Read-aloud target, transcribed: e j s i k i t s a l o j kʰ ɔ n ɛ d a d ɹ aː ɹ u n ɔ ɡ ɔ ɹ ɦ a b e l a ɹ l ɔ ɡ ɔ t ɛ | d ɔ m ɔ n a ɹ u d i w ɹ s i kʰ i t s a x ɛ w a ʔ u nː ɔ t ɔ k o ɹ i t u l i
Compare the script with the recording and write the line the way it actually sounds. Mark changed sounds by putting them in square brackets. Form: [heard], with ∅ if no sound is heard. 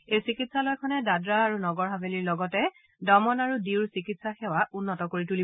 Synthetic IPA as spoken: e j s i k i t s a l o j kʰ ɔ n ɛ d a d ɹ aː ɹ u n ɔ ɡ ɔ ɹ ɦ a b e l [i] ɹ l ɔ ɡ ɔ t ɛ | d ɔ m ɔ n a ɹ u d i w ɹ s i [k] i t s a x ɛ w a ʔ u nː ɔ t ɔ k o ɹ i t u l i